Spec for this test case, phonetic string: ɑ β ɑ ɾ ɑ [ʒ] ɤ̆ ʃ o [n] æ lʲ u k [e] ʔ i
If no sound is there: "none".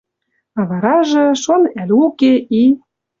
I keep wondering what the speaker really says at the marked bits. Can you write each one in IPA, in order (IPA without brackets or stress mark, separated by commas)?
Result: ʒ, n, e